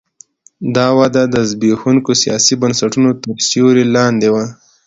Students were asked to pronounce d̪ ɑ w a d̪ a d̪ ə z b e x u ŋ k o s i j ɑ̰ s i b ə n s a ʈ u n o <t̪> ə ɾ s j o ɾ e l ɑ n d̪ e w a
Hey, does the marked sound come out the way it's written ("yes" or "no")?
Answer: yes